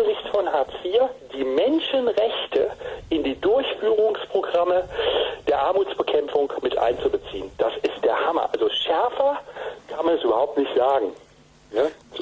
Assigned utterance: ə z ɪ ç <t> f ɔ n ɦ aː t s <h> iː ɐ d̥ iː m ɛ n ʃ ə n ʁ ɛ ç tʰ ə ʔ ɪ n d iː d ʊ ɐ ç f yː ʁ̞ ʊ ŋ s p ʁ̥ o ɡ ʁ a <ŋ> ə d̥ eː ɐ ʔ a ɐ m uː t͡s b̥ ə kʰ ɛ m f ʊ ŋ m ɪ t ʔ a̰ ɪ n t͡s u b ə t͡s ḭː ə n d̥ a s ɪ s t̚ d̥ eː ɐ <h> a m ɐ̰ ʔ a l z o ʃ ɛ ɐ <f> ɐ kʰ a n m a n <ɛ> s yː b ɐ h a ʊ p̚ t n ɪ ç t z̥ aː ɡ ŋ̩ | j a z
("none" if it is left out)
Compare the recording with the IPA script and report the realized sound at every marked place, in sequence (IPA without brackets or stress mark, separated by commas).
t, f, m, h, f, ɛ